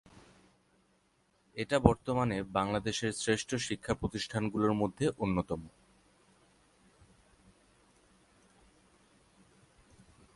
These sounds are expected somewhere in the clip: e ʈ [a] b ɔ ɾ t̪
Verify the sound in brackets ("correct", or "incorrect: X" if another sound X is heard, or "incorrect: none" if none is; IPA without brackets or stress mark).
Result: correct